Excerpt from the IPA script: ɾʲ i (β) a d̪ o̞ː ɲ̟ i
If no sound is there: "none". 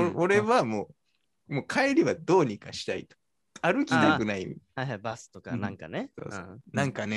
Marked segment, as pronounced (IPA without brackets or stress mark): β